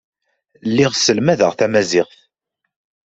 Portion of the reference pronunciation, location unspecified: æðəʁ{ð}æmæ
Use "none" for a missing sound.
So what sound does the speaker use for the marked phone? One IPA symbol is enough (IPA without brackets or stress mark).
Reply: θ